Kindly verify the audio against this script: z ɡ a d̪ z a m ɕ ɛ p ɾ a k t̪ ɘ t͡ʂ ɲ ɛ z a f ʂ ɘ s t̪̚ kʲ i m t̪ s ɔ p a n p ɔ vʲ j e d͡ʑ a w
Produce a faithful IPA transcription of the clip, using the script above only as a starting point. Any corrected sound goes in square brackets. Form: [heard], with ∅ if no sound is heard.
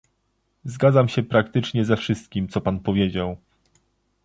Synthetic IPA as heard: z ɡ a d̪ z a m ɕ ɛ p ɾ a k t̪ ɘ t͡ʂ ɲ ɛ z [ɛ] f ʂ ɘ s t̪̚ kʲ i m t̪ s ɔ p a n p ɔ vʲ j e d͡ʑ a w